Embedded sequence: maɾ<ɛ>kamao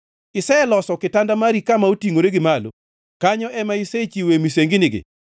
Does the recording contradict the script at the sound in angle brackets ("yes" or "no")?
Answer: yes